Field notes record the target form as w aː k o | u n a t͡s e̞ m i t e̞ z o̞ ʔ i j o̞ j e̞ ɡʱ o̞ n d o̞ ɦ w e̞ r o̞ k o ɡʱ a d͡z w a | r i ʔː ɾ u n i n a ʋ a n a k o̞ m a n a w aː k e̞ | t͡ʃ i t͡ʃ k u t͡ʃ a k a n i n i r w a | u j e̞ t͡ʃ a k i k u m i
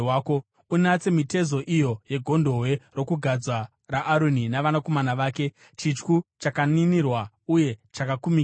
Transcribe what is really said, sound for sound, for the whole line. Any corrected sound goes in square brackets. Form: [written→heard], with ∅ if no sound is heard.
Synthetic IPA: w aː k o | u n a t͡s e̞ m i t e̞ z o̞ ʔ i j o̞ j e̞ ɡʱ o̞ n d o̞ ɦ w e̞ r o̞ k [o→u] ɡʱ a d͡z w a | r [i→a] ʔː ɾ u n i n a ʋ a n a k o̞ m a n a [w→ʋ] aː k e̞ | t͡ʃ i t͡ʃ k u t͡ʃ a k a n i n i r w a | u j e̞ t͡ʃ a k [i→a] k u m i